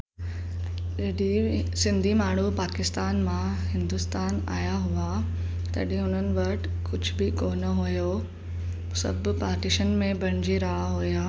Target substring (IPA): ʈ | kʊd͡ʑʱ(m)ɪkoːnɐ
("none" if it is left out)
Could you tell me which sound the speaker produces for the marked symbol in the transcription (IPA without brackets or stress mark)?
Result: b